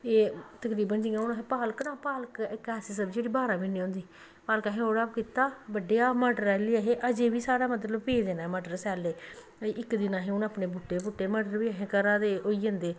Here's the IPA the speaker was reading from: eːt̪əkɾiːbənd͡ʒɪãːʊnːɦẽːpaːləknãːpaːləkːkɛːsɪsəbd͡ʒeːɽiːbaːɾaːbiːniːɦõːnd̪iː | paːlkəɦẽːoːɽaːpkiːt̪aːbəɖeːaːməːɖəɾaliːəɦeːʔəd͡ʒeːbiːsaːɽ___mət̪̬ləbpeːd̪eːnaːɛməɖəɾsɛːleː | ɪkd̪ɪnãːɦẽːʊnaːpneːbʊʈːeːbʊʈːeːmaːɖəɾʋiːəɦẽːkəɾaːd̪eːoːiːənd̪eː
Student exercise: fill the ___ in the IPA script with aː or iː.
aː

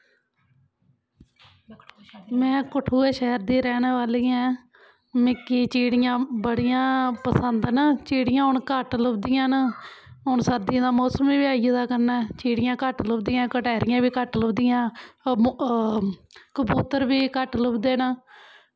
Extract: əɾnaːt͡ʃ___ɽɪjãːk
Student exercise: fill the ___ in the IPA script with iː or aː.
iː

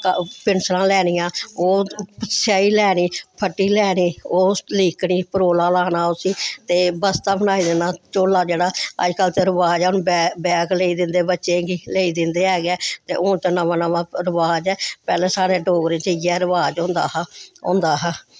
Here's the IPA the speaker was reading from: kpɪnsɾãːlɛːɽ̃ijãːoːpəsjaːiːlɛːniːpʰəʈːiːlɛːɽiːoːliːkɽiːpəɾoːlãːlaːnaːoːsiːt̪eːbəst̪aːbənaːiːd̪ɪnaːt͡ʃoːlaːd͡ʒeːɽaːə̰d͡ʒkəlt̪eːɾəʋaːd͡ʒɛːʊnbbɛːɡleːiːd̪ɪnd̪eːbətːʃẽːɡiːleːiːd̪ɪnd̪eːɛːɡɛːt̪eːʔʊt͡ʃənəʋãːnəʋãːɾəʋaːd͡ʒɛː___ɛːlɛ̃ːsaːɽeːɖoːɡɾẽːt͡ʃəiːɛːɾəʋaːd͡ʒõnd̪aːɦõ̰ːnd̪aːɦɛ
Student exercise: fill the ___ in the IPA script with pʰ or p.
p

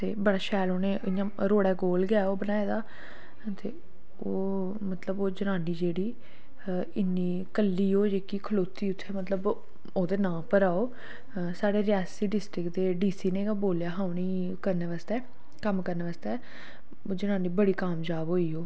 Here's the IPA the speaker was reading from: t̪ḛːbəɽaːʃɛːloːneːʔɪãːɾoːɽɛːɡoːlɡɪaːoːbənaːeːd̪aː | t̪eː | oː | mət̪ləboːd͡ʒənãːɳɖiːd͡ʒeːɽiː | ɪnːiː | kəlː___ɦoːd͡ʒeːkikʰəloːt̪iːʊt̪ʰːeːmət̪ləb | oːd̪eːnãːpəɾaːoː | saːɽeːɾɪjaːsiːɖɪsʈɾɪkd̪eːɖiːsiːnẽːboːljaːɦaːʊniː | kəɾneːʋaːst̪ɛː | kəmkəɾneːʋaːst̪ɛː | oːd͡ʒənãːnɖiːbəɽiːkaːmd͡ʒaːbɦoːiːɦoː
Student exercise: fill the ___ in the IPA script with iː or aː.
iː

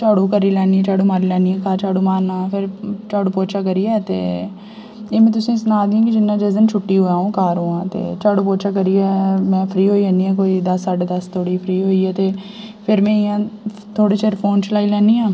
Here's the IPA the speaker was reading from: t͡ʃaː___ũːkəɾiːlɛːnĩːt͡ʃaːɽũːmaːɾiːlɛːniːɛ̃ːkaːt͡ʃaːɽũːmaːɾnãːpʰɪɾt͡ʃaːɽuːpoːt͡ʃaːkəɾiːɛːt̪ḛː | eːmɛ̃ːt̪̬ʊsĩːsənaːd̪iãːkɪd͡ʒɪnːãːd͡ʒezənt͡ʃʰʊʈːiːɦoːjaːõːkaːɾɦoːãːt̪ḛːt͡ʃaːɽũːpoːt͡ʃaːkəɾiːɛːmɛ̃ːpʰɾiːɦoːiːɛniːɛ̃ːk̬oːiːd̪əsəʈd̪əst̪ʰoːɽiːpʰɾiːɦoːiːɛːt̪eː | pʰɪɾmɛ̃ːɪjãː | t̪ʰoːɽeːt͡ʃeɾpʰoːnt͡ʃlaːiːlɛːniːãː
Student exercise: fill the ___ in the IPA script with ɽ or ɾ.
ɽ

